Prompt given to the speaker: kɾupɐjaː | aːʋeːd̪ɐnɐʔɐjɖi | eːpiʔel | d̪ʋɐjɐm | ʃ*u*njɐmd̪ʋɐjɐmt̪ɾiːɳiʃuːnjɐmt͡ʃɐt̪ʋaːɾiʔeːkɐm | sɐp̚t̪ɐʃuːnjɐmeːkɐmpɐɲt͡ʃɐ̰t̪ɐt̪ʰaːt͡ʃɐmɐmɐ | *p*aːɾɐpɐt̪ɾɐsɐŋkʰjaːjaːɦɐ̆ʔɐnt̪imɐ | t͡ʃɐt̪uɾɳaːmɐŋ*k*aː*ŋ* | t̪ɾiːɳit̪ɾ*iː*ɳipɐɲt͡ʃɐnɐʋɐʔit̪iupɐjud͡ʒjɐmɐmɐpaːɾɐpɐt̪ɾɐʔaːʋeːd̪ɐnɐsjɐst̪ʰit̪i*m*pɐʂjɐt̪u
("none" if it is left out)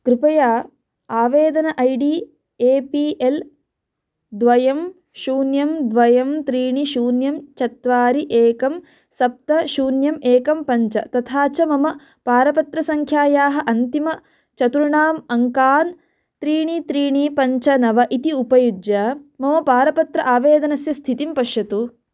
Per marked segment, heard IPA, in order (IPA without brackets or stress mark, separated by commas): uː, p, k, n, iː, m